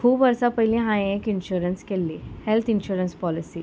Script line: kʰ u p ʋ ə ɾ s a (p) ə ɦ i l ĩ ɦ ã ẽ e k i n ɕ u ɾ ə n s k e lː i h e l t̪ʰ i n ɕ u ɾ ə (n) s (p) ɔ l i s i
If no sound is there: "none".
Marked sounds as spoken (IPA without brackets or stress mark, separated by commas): p, n, p